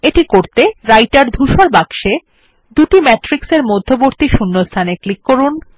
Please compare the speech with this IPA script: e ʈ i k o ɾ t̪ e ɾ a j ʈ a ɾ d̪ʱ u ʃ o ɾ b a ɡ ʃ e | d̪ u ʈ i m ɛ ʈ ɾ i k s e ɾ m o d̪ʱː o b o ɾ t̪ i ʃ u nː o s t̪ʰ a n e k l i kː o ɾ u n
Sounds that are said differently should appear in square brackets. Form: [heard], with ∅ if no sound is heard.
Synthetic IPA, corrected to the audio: e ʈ i k o ɾ t̪ e ɾ a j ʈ a ɾ d̪ʱ u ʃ o ɾ b a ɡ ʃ e | d̪ u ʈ i m ɛ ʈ ɾ i k s e ɾ m o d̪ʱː o b o ɾ t̪ i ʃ u nː o s t̪ʰ a n e k l i kː o ɾ u n